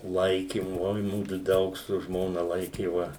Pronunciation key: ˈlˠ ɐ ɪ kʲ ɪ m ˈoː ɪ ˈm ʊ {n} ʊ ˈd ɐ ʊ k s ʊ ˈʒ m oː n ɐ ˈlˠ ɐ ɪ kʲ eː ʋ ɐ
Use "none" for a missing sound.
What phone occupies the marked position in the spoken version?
d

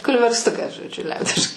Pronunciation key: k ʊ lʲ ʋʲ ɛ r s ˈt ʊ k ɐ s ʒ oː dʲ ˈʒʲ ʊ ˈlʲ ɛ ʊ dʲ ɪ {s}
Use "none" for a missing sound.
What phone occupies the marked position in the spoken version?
ʃ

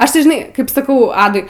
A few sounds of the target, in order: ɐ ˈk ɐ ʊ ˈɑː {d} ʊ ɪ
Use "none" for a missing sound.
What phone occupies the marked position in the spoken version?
d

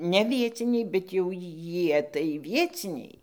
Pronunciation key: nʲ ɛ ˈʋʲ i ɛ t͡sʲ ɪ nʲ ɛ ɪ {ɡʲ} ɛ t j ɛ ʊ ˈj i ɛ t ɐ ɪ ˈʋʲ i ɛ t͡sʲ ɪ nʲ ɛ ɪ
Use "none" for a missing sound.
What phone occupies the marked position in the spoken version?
bʲ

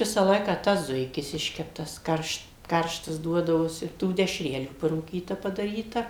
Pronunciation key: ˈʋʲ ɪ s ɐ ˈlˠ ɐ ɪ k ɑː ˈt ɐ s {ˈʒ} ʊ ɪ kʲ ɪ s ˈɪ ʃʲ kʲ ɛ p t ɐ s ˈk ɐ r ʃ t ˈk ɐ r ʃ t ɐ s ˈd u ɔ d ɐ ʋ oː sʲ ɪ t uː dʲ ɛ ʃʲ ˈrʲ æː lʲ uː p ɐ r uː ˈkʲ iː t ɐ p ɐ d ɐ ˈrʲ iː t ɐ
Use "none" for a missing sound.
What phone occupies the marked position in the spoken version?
z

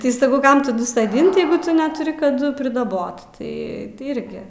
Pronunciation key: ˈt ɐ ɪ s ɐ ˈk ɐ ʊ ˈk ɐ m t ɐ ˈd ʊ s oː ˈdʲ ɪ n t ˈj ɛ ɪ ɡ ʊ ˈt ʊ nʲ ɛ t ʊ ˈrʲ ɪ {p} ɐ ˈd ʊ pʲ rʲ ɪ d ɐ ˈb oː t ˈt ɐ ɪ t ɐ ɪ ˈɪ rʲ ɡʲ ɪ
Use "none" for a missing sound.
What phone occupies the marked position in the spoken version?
k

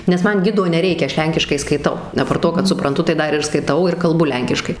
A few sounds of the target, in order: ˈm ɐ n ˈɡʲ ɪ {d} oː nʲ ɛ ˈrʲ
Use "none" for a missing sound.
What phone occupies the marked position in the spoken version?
d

